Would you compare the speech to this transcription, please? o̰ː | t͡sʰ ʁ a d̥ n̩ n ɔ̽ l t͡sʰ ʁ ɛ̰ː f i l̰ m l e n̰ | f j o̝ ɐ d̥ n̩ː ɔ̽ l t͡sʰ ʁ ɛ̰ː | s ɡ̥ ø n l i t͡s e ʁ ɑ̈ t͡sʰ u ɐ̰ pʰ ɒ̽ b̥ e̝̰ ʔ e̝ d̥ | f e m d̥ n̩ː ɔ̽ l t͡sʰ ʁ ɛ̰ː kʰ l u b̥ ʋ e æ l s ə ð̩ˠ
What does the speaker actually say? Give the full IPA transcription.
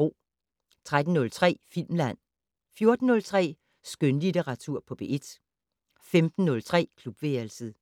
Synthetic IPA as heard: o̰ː | t͡sʰ ʁ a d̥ n̩ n ɔ̽ l t͡sʰ ʁ ɛ̰ː f i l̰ m l æ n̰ | f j o̝ ɐ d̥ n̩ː ɔ̽ l t͡sʰ ʁ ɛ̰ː | s ɡ̥ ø n l i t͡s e ʁ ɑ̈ t͡sʰ u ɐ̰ pʰ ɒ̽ b̥ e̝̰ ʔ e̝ d̥ | f e m d̥ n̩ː ɔ̽ l t͡sʰ ʁ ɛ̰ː kʰ l u b̥ ʋ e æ l s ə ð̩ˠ